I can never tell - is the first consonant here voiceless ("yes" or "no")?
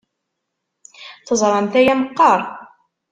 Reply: yes